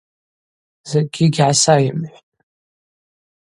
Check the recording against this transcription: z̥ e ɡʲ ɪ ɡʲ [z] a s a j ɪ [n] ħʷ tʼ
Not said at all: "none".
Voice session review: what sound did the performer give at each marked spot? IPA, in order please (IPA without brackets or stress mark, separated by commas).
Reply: ʕ, m